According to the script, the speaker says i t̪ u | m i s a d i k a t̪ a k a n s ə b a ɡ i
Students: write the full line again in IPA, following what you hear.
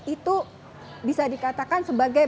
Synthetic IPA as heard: i t̪ u | b i s a d i k a t̪ a k a n s ə b a ɡ a